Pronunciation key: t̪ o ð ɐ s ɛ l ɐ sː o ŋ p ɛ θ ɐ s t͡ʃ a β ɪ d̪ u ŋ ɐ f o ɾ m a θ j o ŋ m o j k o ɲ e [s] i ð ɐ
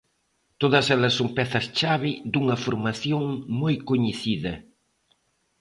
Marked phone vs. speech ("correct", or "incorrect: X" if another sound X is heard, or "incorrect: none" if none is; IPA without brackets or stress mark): incorrect: θ